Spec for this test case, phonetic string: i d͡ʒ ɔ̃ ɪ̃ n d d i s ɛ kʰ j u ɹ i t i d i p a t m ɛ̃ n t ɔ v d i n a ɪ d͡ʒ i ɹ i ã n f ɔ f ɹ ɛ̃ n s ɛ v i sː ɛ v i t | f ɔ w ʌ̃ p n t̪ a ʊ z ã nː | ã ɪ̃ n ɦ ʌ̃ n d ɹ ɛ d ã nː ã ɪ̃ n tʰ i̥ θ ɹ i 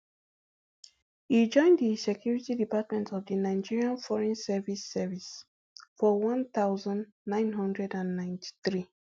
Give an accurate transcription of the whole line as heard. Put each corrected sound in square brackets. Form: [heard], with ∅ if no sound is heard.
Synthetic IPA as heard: i d͡ʒ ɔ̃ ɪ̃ n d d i s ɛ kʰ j u ɹ i t i d i p a t m ɛ̃ n t ɔ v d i n a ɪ d͡ʒ i ɹ i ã n f ɔ [∅] ɹ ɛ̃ n s ɛ v i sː ɛ v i [s] | f ɔ w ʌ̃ [∅] n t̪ a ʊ z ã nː | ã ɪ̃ n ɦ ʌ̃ n d ɹ ɛ d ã nː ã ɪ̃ n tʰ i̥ θ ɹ i